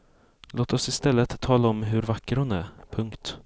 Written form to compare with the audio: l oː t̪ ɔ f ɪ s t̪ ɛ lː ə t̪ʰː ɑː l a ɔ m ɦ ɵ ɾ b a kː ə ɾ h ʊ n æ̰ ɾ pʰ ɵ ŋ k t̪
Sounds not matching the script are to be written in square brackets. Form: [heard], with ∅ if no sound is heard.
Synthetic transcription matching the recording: l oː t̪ ɔ [s] ɪ s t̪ ɛ lː ə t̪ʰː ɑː l a ɔ m ɦ ɵ ɾ [v] a kː ə ɾ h ʊ n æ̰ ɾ pʰ ɵ ŋ k t̪